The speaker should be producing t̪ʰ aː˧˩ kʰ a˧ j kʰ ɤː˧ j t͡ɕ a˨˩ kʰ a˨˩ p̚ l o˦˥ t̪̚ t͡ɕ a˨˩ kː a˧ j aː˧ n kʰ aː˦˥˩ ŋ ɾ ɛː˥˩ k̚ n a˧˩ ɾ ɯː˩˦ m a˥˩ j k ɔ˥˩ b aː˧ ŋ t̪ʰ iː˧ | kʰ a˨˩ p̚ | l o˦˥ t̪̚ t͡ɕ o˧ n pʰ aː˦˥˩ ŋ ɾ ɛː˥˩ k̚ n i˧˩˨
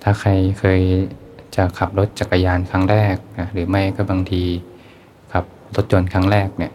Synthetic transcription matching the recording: t̪ʰ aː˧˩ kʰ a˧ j kʰ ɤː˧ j t͡ɕ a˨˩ kʰ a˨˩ p̚ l o˦˥ t̪̚ t͡ɕ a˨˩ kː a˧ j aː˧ n kʰ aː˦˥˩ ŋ ɾ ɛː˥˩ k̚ n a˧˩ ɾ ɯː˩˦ m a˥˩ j k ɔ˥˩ b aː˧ ŋ t̪ʰ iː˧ | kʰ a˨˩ p̚ | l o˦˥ t̪̚ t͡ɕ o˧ n kʰ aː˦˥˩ ŋ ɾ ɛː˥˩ k̚ n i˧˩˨